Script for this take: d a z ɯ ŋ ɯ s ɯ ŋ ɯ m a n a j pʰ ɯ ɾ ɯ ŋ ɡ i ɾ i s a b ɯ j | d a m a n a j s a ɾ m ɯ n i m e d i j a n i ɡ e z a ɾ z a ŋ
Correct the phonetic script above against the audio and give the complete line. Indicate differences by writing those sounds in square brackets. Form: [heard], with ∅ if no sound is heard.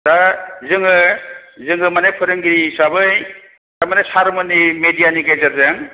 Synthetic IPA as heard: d a z ɯ ŋ ɯ [z] ɯ ŋ ɯ m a n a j pʰ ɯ ɾ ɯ ŋ ɡ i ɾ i s a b ɯ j | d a m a n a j s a ɾ m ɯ n i m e d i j a n i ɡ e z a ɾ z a ŋ